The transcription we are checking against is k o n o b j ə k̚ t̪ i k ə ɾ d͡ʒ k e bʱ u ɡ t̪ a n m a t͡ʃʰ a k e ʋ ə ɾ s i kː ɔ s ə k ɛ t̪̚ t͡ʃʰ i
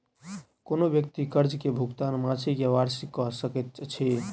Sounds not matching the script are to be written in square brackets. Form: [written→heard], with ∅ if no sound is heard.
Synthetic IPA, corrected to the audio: k o n o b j ə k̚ t̪ i k ə ɾ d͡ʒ k e bʱ u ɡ t̪ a n m a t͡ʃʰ [a→i] k e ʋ [ə→a] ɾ s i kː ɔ s ə k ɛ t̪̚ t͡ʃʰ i